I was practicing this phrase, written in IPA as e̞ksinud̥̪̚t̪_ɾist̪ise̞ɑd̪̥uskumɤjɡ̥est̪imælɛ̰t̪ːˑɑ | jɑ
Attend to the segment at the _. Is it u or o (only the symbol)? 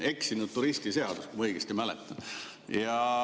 u